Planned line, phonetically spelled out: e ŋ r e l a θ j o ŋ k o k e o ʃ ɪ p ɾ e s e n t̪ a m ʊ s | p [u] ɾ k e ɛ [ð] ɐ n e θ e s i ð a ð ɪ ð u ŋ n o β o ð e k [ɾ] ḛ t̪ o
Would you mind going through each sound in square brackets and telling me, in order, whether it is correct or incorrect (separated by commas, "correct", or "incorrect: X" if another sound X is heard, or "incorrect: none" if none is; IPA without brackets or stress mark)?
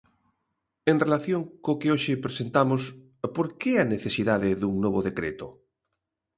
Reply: incorrect: o, incorrect: none, correct